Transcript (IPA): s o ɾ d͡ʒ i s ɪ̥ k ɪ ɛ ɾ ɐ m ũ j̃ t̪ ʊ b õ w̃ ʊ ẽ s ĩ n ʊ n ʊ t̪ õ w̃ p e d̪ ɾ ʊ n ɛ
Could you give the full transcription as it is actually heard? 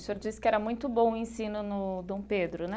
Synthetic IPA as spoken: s o ɾ d͡ʒ i s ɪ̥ k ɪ ɛ ɾ ɐ m ũ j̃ t̪ ʊ b õ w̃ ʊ ẽ s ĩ n ʊ n ʊ d̪ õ w̃ p e d̪ ɾ ʊ n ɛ